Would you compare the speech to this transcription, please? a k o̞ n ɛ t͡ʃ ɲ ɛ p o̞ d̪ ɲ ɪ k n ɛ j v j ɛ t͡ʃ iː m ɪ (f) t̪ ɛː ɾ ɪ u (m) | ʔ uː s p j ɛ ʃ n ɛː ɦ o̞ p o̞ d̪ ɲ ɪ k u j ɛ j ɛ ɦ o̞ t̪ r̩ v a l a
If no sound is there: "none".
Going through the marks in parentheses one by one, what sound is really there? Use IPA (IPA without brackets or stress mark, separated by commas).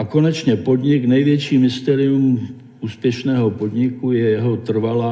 s, m